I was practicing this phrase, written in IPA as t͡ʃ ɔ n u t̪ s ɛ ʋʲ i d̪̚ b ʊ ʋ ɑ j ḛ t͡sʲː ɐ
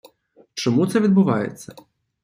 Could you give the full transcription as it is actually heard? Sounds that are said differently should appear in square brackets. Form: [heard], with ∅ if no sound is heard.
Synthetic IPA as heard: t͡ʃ ɔ [m] u t̪ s ɛ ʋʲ i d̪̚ b ʊ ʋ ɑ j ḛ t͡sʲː ɐ